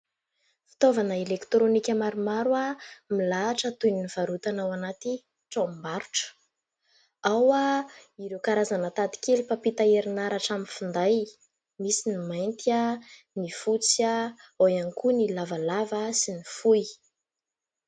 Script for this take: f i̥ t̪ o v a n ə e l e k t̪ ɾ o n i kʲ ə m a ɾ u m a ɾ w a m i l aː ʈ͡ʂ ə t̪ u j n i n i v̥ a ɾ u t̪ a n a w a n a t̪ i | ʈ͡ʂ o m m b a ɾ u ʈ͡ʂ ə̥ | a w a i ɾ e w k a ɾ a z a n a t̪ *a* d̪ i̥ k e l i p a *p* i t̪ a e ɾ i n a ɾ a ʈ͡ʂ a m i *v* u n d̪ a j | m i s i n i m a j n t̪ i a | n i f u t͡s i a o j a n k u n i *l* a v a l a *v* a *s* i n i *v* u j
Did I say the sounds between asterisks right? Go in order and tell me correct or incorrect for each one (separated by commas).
correct, correct, incorrect, correct, correct, correct, incorrect